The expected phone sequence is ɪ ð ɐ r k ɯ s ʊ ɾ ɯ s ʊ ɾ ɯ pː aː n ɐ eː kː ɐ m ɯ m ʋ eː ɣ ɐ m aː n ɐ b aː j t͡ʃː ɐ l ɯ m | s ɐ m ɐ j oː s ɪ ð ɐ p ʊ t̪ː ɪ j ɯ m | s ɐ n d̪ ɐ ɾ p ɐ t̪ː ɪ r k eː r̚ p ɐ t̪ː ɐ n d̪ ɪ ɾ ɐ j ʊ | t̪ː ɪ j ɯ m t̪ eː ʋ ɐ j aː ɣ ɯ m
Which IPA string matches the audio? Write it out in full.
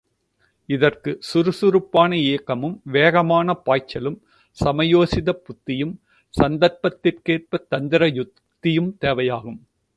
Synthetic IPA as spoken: ɪ ð ɐ r k ɯ s ʊ ɾ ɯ s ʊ ɾ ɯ pː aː n ɐ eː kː ɐ m ɯ m ʋ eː ɣ ɐ m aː n ɐ p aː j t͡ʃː ɐ l ɯ m | s ɐ m ɐ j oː s ɪ ð ɐ p ʊ t̪ː ɪ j ɯ m | s ɐ n d̪ ɐ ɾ p ɐ t̪ː ɪ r k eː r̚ p ɐ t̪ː ɐ n d̪ ɪ ɾ ɐ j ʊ | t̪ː ɪ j ɯ m t̪ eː ʋ ɐ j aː ɣ ɯ m